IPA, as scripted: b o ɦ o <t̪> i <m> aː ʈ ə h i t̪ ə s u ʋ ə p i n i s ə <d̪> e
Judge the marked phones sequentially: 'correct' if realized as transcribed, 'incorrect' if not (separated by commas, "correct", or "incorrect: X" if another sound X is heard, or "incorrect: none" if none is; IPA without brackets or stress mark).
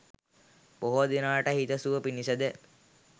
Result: incorrect: d̪, incorrect: n, correct